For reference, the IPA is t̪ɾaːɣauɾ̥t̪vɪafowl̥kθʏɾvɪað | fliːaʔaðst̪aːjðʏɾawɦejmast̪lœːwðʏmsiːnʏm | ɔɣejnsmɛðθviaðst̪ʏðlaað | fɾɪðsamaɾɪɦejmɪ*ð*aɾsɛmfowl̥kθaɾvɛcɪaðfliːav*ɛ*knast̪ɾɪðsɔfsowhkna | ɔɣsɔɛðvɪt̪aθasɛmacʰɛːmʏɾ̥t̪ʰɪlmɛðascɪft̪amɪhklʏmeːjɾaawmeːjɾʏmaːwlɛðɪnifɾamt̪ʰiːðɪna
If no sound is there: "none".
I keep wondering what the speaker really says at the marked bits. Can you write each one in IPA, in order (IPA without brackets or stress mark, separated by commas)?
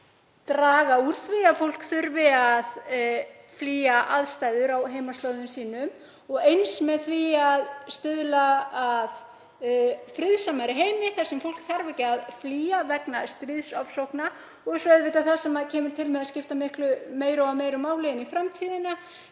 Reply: θ, ɛ